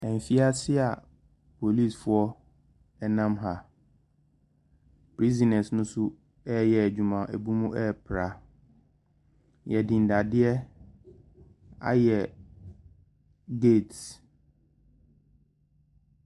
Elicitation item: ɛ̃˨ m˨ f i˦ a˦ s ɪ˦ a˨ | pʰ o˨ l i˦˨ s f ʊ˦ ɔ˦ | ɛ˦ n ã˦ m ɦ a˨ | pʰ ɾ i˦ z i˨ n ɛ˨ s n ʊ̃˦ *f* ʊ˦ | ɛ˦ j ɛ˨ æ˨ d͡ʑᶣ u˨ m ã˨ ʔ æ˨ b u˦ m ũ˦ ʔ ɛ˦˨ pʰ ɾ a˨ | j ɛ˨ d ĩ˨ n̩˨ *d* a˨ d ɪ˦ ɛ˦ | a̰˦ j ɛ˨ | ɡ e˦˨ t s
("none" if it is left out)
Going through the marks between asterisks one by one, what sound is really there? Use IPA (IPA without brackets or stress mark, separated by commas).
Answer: s, d